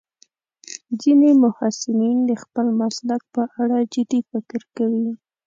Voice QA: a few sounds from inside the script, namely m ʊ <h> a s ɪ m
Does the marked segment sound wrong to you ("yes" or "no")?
no